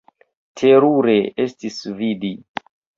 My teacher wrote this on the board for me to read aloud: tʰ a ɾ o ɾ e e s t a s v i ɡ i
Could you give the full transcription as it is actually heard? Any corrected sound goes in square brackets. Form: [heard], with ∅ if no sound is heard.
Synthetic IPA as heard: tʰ [e] ɾ [u] ɾ e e s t [i] s v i [d] i